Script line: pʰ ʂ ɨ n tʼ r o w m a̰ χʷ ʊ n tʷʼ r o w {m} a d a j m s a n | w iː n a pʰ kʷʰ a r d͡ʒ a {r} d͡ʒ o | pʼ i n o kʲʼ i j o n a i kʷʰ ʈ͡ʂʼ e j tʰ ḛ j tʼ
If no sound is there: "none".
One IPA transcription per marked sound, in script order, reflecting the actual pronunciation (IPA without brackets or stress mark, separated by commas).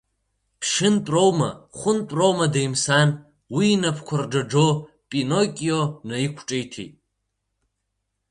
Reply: m, none